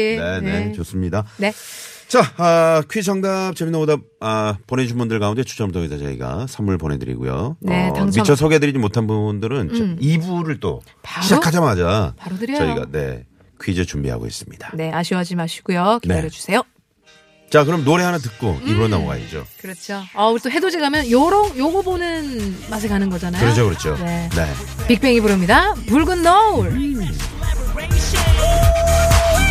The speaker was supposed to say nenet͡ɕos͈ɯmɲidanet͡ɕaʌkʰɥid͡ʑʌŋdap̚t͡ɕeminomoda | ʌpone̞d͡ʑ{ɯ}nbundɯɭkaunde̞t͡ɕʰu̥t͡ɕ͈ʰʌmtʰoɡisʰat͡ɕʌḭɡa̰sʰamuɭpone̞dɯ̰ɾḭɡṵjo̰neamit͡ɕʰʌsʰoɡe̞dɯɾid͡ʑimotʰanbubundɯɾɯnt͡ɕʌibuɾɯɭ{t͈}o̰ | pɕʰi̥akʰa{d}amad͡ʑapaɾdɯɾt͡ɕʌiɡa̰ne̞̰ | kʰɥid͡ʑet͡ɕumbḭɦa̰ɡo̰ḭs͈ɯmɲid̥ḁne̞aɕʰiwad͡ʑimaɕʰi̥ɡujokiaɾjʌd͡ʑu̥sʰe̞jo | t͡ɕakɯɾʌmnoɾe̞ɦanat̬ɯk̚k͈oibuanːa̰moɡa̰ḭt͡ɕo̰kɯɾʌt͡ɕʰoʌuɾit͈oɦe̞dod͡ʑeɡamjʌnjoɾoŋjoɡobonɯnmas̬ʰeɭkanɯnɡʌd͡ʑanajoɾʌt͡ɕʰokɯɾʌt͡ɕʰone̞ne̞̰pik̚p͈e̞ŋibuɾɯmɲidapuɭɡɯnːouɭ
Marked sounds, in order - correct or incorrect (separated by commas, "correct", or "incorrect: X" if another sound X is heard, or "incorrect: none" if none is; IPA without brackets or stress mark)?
incorrect: u, correct, incorrect: d͡ʑ